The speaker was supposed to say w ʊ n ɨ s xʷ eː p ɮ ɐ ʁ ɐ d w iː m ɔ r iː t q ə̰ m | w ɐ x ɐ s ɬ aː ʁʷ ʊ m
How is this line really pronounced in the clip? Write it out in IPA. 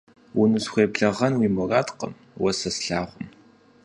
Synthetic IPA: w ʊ n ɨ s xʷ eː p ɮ ɐ ʁ ɐ n w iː m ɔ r aː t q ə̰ m | w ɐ s ɐ s ɬ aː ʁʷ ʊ m

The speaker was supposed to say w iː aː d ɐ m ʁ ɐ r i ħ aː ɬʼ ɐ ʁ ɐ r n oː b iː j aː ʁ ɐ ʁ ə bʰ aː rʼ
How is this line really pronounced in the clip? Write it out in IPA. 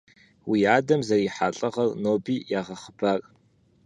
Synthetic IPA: w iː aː d ɐ m z ɐ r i ħ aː ɬʼ ɐ ʁ ɐ r n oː b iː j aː ʁ ɐ χ ə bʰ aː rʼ

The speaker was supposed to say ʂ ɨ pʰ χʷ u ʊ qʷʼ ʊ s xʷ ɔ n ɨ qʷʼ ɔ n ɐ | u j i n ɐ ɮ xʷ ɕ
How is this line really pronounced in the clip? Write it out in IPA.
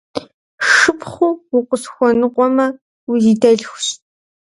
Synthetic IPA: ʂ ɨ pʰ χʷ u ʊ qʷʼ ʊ s xʷ ɔ n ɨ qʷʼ ɔ m ɐ | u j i d ɐ ɮ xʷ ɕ

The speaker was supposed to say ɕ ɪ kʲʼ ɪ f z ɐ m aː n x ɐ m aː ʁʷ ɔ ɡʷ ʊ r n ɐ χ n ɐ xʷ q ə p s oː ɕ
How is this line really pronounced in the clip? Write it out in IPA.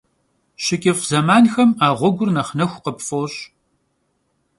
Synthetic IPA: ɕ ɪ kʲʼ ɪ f z ɐ m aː n x ɐ m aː ʁʷ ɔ ɡʷ ʊ r n ɐ χ n ɐ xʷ q ə p f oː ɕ

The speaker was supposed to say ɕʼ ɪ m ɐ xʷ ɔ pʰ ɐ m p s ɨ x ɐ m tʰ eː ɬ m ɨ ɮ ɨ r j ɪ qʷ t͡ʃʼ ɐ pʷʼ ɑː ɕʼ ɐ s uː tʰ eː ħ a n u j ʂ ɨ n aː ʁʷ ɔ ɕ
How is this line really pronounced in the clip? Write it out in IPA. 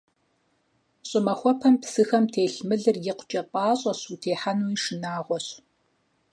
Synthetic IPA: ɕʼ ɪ m ɐ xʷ ɔ pʰ ɐ m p s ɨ x ɐ m tʰ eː ɬ m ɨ ɮ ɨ r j ɪ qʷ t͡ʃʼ ɐ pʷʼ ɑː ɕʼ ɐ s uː tʰ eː ħ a n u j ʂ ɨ n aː ʁʷ ɔ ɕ

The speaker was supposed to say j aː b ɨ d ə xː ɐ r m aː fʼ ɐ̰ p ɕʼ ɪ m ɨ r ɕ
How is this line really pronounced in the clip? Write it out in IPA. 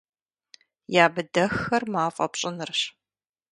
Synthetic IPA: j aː b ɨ d ɐ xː ɐ r m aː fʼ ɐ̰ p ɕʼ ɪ n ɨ r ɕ

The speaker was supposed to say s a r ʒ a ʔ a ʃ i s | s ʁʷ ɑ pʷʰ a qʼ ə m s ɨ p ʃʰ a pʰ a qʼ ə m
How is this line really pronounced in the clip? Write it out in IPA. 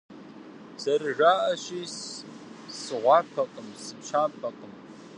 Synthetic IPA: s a r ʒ a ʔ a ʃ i s | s ʁʷ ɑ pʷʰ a qʼ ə m s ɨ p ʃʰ a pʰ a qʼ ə m

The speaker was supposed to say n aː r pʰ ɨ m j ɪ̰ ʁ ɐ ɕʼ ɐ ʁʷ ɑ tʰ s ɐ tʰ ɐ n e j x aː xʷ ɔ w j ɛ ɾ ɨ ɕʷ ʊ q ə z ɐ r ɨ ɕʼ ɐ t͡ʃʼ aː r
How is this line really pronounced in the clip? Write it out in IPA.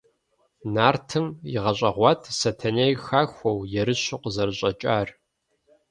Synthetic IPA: n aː r tʰ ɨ m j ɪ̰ ʁ ɐ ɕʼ ɐ ʁʷ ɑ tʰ s ɐ tʰ ɐ n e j x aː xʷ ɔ w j ɛ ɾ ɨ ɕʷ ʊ q ə z ɐ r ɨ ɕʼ ɐ t͡ʃʼ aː r

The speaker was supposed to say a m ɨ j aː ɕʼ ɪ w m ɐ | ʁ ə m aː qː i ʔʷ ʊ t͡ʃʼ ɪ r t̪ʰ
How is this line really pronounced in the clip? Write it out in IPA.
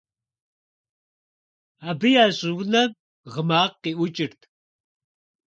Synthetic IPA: a b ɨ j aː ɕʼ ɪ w n ɐ | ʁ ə m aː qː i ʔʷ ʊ t͡ʃʼ ɪ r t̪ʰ

